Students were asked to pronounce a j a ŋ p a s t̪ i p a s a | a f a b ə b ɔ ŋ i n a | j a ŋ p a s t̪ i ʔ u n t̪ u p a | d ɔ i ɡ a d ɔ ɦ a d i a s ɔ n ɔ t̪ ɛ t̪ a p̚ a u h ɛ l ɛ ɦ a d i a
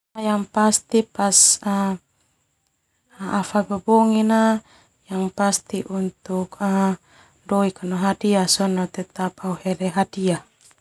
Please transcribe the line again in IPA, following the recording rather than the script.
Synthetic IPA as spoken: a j a ŋ p a s t̪ i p a s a | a f a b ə b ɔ ŋ i n a | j a ŋ p a s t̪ i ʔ u n t̪ u k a | d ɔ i k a n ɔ ɦ a d i a s ɔ n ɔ t̪ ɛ t̪ a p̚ a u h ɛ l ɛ ɦ a d i a